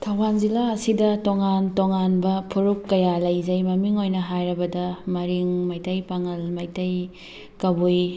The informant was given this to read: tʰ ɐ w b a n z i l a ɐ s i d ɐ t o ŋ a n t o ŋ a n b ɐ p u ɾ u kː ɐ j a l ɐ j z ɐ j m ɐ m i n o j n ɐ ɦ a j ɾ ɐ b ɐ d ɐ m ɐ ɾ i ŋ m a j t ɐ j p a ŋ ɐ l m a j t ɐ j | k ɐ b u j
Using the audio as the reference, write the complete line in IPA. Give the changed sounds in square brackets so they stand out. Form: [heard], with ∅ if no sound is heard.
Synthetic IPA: tʰ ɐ w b a n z i l a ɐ s i d ɐ t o ŋ a n t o ŋ a n b ɐ [pʰ] u ɾ u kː ɐ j a l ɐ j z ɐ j m ɐ m i [ŋ] o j n ɐ ɦ a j ɾ ɐ b ɐ d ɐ m ɐ ɾ i ŋ m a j t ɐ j p a ŋ ɐ l m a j t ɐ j | k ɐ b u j